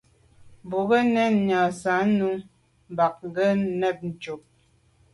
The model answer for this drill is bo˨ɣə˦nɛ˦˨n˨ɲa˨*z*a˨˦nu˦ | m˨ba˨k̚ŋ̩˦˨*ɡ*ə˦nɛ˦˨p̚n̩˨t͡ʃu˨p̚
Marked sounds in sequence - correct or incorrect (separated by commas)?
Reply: incorrect, correct